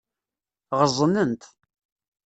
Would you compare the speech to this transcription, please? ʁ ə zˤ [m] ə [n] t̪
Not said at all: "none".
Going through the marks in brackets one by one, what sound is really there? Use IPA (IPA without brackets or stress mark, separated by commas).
n, n